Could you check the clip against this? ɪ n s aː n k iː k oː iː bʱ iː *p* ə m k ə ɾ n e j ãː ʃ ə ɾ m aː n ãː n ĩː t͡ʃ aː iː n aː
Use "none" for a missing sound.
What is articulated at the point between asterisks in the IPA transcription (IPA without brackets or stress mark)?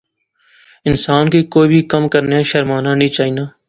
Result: k